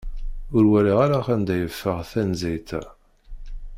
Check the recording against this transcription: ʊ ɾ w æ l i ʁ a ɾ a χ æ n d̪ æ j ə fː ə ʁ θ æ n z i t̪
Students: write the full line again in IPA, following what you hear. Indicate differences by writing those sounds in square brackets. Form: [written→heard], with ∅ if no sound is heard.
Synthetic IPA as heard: ʊ ɾ w æ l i ʁ a ɾ a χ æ n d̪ æ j ə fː ə ʁ θ æ n z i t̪